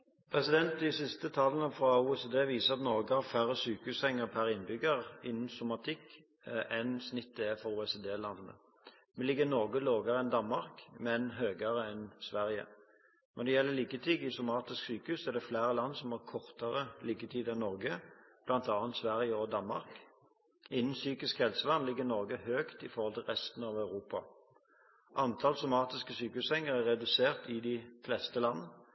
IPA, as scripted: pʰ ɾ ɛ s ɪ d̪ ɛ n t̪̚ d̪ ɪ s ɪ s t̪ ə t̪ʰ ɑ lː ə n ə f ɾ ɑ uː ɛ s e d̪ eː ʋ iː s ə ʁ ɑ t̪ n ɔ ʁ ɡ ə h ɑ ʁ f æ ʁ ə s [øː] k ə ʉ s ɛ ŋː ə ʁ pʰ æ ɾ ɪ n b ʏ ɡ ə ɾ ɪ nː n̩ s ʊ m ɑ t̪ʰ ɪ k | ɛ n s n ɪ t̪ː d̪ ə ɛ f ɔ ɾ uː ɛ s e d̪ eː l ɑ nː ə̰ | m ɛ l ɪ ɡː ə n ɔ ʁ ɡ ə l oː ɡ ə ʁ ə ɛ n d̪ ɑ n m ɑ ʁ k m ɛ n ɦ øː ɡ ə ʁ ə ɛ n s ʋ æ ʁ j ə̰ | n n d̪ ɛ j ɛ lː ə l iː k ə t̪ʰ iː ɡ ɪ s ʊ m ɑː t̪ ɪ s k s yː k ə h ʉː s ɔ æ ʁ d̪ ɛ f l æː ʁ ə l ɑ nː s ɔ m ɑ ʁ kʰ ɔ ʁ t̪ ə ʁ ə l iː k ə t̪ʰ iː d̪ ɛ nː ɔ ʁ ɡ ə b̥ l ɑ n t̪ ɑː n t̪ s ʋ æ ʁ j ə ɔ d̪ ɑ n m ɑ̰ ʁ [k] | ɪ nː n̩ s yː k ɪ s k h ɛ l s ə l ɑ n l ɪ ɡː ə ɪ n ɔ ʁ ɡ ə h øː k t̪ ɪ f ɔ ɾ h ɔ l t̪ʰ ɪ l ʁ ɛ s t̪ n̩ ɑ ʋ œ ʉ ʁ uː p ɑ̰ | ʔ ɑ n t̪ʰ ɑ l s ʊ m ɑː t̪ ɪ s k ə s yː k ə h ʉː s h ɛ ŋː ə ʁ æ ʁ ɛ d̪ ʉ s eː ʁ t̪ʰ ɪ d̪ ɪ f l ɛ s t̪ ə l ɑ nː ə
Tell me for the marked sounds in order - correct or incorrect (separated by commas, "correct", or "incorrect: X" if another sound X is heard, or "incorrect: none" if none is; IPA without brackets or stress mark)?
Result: incorrect: yː, correct